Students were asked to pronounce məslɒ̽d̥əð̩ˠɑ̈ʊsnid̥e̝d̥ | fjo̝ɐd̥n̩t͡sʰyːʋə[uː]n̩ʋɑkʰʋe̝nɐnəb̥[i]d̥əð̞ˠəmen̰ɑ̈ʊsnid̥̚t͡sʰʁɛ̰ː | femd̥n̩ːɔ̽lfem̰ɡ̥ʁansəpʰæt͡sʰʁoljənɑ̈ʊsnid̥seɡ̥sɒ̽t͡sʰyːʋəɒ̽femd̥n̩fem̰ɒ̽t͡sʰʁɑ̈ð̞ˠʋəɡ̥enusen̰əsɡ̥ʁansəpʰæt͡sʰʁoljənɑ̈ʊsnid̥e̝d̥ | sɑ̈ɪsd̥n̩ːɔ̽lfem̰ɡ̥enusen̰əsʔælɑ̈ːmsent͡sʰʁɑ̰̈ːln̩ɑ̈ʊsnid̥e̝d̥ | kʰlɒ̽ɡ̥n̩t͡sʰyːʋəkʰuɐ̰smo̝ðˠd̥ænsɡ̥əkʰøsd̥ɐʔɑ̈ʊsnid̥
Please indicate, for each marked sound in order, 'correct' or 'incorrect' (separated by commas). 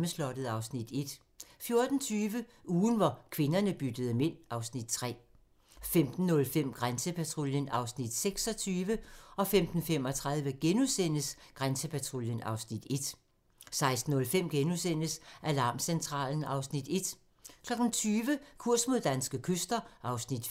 correct, incorrect